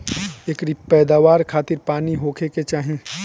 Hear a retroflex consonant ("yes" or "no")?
no